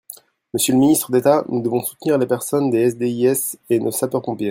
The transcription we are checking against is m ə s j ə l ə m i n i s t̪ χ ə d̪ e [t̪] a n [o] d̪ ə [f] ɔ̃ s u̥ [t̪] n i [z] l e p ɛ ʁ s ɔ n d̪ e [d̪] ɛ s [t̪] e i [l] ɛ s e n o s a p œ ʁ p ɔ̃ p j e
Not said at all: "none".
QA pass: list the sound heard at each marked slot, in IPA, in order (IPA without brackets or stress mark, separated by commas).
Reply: t̪, u, v, t̪, ʁ, none, d̪, none